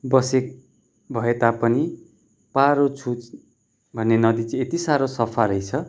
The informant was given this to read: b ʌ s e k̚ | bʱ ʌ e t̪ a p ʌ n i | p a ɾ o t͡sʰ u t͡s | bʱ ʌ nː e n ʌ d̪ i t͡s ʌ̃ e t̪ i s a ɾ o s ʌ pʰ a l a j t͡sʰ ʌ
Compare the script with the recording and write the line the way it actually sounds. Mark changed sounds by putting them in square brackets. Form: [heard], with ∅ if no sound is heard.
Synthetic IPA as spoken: b ʌ s e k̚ | bʱ ʌ e t̪ a p ʌ n i | p a ɾ o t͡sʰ u t͡s | bʱ ʌ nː e n ʌ d̪ i t͡s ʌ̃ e t̪ i s a ɾ o s ʌ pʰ a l [ʌ] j t͡sʰ ʌ